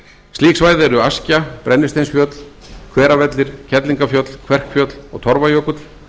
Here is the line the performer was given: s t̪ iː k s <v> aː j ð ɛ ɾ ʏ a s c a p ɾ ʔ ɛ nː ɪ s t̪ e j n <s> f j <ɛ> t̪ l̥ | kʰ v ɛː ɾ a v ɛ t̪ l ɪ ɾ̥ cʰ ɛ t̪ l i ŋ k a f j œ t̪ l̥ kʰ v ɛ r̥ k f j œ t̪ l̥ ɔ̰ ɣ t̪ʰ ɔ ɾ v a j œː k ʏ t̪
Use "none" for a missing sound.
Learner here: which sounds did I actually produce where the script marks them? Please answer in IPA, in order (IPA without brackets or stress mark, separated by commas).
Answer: v, s, œ